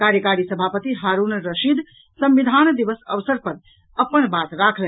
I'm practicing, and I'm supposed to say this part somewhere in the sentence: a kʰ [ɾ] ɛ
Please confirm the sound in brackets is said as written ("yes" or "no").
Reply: no